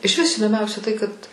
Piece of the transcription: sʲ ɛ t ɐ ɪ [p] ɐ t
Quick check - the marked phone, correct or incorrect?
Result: incorrect